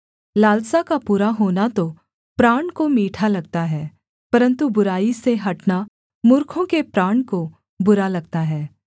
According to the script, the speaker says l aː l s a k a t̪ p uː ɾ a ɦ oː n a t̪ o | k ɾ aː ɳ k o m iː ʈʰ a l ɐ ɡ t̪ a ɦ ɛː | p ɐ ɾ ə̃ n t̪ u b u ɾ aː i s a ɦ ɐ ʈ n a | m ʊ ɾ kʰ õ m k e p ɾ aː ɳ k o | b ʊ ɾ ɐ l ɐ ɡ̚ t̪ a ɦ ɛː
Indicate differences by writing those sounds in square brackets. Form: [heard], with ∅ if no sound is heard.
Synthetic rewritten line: l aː l s a k a [∅] p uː ɾ a ɦ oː n a t̪ o | [p] ɾ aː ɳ k o m iː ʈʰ a l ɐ ɡ t̪ a ɦ ɛː | p ɐ ɾ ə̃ n t̪ u b [ʊ] ɾ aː i s [e] ɦ ɐ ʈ n a | m ʊ ɾ kʰ õ [∅] k e p ɾ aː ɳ k o | b ʊ ɾ [a] l ɐ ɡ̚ t̪ a ɦ ɛː